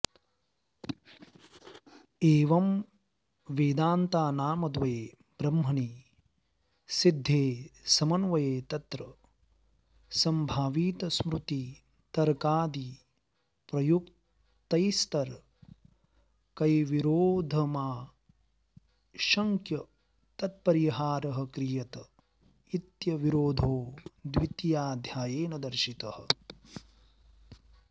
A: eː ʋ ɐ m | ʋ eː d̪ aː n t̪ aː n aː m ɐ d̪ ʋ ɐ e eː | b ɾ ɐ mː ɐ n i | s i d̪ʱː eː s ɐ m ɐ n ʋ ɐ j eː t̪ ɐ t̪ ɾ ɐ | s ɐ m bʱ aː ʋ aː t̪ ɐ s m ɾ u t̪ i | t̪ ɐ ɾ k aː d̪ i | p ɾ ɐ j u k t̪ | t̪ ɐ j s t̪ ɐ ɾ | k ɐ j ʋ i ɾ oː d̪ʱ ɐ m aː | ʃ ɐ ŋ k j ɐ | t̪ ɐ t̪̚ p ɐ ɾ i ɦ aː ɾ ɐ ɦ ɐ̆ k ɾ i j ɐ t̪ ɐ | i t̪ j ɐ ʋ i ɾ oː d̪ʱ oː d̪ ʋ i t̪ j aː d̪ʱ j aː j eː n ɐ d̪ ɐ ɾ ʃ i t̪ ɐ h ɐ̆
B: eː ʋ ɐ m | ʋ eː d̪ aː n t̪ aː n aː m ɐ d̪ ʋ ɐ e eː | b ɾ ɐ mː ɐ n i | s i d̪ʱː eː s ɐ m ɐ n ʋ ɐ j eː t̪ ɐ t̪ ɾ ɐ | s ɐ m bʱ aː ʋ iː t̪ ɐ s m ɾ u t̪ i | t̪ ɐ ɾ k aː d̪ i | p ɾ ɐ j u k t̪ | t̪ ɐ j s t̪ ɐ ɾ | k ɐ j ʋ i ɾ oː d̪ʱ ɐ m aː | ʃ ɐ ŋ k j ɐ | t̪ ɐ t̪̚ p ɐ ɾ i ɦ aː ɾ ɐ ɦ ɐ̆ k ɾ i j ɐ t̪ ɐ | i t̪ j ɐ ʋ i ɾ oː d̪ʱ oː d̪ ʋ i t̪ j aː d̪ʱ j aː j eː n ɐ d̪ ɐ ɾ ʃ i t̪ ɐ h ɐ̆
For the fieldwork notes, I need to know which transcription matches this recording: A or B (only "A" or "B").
B